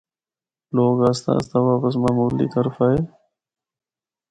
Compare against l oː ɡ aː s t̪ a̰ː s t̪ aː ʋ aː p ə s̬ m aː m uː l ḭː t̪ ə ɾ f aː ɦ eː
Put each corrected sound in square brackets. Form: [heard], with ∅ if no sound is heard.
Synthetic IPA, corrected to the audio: l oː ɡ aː s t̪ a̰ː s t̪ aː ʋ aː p ə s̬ m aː m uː l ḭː t̪ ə ɾ f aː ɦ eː

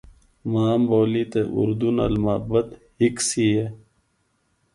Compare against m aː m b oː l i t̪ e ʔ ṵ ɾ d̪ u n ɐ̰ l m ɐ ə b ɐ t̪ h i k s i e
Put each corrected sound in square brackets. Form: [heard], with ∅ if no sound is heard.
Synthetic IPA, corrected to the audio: m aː m b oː l i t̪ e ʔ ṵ ɾ d̪ u n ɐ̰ l m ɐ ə b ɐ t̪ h i k s i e

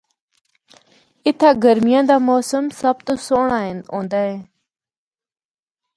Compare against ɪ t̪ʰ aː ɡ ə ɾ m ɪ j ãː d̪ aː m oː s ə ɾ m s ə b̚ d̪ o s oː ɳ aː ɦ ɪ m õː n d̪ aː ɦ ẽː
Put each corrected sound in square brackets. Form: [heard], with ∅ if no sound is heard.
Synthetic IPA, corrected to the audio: ɪ t̪ʰ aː ɡ ə ɾ m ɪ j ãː d̪ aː m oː s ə [∅] m s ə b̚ [t̪] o s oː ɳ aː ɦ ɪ [n] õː n d̪ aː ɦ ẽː

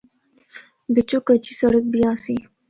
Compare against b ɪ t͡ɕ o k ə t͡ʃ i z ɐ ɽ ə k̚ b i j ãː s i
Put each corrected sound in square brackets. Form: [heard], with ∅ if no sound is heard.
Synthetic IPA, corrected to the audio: b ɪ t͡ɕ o k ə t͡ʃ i [s] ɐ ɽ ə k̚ b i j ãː s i

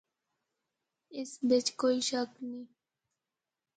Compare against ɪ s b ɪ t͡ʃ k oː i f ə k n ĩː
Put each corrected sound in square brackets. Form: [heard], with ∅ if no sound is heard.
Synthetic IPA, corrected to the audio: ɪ s b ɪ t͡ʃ k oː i [ʃ] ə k n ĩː

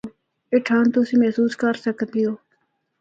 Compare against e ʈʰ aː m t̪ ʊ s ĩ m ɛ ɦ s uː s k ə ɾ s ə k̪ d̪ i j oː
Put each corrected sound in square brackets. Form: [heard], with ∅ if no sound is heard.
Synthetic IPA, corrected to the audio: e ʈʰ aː [n] t̪ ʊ s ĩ m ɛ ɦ s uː s k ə ɾ s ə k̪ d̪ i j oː

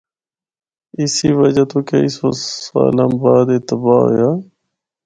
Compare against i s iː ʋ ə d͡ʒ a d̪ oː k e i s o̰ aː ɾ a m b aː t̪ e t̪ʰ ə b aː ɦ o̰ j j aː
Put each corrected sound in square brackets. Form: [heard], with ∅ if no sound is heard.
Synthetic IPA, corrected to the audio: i s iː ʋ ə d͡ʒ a [t̪] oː k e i s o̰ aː [l] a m b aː [d̪] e [t̪] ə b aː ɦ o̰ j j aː

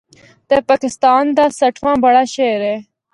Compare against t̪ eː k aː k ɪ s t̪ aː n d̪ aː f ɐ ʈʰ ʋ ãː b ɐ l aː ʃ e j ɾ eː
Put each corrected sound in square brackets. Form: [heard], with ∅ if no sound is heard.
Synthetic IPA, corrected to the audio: t̪ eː [p] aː k ɪ s t̪ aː n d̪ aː [s] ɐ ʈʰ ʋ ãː b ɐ [ɽ] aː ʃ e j ɾ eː

